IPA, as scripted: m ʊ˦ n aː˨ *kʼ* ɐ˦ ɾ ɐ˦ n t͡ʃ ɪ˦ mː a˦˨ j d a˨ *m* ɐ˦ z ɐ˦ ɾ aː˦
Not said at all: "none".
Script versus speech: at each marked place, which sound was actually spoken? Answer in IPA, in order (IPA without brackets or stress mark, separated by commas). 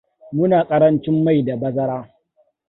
kʼ, b